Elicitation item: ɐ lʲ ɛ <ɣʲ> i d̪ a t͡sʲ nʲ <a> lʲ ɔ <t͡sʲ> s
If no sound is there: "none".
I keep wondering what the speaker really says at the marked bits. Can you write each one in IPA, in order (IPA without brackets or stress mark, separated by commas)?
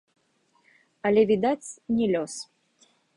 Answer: vʲ, ɛ, none